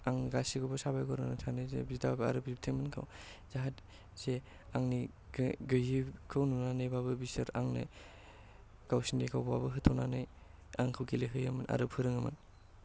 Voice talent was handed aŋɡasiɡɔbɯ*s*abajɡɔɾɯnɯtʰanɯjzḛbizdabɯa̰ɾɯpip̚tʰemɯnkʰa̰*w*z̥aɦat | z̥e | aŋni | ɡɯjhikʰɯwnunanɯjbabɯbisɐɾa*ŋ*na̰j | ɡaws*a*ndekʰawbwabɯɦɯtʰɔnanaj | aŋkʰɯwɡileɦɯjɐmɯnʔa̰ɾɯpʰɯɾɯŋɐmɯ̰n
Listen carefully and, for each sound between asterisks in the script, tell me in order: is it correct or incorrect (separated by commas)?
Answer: correct, correct, correct, incorrect